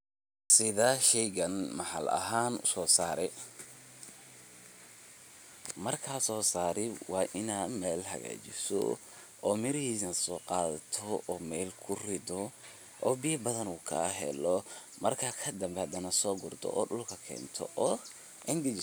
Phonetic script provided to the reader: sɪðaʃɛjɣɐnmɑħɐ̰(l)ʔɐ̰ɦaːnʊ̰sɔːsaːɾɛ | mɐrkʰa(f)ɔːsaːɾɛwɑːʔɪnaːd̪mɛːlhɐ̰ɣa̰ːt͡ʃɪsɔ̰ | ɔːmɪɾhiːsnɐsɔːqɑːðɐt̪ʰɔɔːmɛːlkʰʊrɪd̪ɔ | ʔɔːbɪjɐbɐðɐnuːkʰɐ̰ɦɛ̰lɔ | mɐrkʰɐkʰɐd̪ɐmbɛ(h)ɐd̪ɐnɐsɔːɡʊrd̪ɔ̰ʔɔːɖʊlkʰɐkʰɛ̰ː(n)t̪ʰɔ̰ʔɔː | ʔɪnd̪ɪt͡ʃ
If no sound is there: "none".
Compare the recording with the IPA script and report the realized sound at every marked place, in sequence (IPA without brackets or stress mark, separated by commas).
l, s, h, n